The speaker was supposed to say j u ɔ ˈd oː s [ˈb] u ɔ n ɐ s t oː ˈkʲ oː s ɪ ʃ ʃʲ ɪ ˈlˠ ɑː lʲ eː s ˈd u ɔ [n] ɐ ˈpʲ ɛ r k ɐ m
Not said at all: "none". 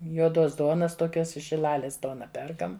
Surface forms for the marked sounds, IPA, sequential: d, n

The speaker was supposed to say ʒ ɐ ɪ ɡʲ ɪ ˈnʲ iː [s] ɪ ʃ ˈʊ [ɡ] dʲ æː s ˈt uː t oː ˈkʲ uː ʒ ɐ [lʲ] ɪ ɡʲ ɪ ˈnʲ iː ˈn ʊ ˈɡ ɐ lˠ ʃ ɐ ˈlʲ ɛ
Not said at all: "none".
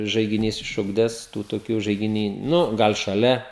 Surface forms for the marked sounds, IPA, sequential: s, ɡ, none

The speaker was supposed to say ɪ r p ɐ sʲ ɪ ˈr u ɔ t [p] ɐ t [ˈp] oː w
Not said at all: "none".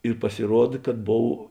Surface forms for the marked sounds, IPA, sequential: k, b

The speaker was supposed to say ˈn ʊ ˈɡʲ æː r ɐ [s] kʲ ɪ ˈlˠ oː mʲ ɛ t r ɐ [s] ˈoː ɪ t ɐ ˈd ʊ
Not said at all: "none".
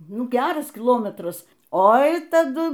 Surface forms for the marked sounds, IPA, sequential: s, s

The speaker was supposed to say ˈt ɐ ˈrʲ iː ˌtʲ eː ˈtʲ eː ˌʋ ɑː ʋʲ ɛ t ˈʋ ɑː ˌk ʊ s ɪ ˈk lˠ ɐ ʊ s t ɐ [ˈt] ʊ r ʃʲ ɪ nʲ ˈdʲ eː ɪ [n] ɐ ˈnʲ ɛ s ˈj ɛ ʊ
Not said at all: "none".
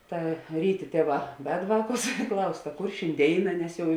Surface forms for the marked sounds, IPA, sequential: k, n

